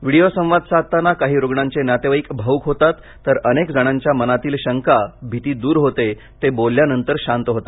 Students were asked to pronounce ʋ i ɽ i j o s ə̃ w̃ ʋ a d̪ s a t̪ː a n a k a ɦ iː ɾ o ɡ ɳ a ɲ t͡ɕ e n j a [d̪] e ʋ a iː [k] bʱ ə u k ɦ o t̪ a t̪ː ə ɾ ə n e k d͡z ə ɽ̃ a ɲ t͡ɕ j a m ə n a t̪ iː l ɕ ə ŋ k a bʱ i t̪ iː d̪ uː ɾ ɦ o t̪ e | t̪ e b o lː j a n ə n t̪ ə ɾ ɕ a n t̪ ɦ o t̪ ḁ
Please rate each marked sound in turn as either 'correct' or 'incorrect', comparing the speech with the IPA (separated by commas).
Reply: incorrect, correct